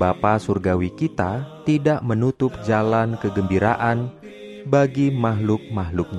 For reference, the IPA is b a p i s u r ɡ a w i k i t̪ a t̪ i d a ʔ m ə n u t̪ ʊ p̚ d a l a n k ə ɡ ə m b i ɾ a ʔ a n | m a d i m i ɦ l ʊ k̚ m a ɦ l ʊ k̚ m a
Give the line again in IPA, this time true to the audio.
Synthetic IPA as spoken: b a p a s u r ɡ a w i k i t̪ a t̪ i d a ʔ m ə n u t̪ ʊ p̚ d͡ʒ a l a n k ə ɡ ə m b i ɾ a ʔ a n | b a ɡ i m a ɦ l ʊ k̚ m a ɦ l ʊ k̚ ɲ a